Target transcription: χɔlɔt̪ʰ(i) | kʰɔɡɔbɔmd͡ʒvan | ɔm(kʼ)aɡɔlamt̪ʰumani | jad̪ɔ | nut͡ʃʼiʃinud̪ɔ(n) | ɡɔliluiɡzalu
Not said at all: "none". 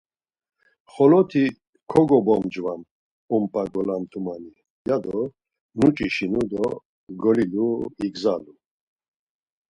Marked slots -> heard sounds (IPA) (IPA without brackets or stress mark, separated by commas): i, pʼ, none